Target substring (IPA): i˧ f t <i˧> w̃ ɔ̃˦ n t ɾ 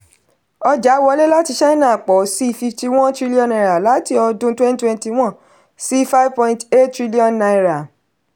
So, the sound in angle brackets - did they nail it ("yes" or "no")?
yes